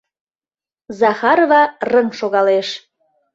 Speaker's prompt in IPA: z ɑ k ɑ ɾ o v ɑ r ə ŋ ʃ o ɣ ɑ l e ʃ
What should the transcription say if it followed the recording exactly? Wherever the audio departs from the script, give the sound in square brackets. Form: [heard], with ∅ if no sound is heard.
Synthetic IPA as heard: z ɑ [x] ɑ ɾ o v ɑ r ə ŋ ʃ o ɣ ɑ l e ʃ